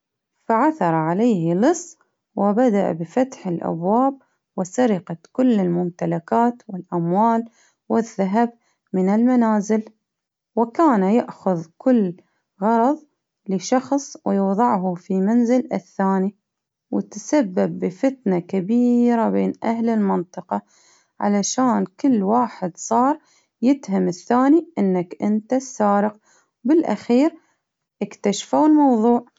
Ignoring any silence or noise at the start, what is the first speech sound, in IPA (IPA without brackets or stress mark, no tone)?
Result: f